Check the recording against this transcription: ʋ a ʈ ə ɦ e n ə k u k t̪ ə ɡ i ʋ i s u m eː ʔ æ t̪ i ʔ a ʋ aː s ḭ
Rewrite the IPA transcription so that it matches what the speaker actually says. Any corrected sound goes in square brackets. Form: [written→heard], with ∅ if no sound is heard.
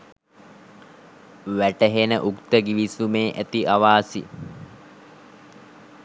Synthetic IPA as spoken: ʋ [a→æ] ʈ ə ɦ e n ə [k→ʔ] u k t̪ ə ɡ i ʋ i s u m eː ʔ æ t̪ i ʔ a ʋ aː s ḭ